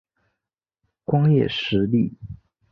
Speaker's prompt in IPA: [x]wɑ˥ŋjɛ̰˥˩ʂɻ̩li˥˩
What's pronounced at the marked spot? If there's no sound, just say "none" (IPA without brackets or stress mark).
k